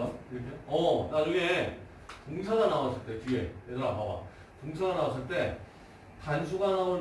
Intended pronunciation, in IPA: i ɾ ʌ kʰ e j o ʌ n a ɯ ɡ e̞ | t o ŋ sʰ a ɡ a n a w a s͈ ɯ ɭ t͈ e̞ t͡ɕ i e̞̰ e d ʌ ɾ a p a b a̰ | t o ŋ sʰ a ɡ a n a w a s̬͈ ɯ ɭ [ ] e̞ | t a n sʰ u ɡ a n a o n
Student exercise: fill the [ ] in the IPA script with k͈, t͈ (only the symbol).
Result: t͈